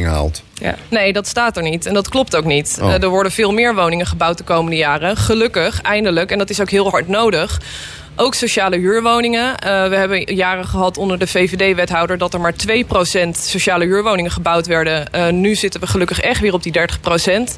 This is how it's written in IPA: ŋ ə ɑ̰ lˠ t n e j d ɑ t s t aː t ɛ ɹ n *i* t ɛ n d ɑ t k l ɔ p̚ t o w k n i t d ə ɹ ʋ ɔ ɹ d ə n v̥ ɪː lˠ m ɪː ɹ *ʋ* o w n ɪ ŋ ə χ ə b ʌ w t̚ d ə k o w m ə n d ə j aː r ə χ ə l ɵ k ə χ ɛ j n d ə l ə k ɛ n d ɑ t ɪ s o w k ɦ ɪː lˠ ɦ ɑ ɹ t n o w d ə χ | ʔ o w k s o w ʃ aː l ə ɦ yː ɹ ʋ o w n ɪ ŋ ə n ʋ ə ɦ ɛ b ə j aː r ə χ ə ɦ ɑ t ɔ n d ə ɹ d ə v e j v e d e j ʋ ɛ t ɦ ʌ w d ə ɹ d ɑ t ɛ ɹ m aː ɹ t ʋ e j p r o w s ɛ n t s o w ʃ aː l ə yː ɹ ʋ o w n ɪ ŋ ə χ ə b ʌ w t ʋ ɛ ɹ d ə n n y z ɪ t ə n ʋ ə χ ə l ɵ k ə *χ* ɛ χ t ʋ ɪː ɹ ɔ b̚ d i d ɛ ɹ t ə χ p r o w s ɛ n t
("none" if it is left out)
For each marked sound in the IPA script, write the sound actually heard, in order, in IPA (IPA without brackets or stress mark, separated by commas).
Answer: i, ʋ, χ